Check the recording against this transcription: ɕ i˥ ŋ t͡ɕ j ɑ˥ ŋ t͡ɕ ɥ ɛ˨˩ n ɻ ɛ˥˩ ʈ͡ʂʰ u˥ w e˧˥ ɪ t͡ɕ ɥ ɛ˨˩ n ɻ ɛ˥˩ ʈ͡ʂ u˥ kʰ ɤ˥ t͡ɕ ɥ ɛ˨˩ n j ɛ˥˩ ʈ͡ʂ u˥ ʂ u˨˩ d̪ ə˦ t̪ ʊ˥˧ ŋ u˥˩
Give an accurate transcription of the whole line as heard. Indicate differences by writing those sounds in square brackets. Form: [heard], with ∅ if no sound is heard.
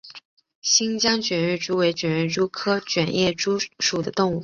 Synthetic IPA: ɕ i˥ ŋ t͡ɕ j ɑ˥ ŋ t͡ɕ ɥ ɛ˨˩ n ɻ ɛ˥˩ [ʈ͡ʂ] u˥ w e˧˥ ɪ t͡ɕ ɥ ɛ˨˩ n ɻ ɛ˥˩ ʈ͡ʂ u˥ kʰ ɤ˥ t͡ɕ ɥ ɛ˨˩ n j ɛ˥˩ ʈ͡ʂ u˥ ʂ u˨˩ d̪ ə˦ t̪ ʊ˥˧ ŋ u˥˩